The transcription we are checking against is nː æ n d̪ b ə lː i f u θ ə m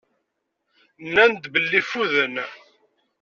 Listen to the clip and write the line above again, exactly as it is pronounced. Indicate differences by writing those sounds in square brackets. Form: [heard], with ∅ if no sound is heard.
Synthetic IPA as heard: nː æ n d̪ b ə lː i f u [ð] ə [n]